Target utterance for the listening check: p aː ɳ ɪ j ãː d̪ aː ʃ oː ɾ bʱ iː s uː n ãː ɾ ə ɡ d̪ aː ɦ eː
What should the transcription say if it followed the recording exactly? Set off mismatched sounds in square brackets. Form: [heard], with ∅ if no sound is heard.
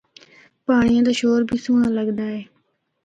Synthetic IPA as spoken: p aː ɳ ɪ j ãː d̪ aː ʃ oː ɾ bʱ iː s uː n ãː [l] ə ɡ d̪ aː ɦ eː